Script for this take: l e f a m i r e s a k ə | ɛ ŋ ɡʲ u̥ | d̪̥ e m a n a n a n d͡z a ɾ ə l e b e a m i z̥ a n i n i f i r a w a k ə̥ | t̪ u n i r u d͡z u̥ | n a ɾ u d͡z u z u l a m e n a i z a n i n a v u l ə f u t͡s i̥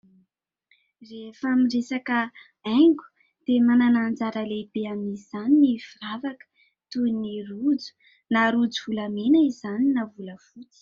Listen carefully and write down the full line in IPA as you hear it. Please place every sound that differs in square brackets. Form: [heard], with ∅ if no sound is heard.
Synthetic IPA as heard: [r] e f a m i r e s a k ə | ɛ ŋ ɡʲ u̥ | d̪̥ e m a n a n a n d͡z a ɾ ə l e b e a m i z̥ a n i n i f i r a [v] a k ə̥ | t̪ u n i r u d͡z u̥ | n a ɾ u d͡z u [v] u l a m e n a i z a n i n a v u l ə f u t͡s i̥